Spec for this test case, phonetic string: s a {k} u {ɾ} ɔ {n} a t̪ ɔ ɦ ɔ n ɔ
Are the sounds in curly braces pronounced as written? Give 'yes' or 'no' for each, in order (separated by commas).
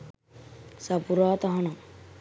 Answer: no, yes, no